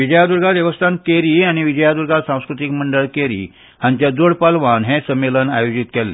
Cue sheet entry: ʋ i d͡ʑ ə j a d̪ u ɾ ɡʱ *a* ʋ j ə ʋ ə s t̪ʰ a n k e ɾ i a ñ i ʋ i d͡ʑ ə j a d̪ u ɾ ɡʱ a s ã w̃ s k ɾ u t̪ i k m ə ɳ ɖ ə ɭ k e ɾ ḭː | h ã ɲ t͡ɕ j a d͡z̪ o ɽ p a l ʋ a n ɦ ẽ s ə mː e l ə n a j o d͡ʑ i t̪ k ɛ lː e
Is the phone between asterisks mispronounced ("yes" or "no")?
no